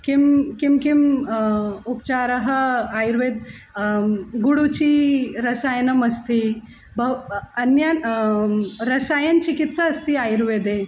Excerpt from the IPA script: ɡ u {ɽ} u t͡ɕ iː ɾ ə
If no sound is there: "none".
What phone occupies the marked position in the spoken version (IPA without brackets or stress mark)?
ɽ